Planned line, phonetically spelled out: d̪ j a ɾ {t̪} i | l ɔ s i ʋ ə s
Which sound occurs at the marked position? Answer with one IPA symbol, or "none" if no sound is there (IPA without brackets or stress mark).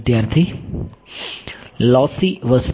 t̪ʰ